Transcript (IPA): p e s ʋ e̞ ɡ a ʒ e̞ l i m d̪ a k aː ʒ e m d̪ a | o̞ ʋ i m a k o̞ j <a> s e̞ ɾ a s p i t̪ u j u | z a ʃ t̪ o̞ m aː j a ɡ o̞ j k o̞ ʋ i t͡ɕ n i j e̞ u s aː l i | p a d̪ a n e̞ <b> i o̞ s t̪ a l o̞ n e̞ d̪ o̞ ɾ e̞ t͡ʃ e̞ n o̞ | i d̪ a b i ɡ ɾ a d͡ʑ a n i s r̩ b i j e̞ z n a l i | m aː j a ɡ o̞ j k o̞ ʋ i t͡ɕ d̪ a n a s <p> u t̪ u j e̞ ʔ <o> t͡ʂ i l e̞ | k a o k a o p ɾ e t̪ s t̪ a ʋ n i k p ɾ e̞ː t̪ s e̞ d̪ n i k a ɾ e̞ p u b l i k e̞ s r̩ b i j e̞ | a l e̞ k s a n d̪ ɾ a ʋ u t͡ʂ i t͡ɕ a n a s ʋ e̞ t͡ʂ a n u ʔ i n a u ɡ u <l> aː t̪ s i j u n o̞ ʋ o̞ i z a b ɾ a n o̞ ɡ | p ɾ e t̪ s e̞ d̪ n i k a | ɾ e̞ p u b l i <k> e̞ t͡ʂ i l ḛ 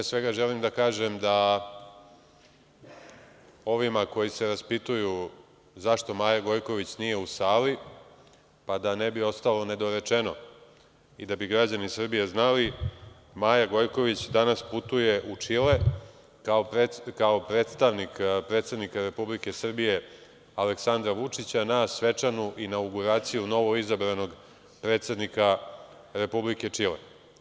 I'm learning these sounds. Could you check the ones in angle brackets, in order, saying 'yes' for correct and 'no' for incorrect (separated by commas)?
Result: no, yes, yes, no, no, yes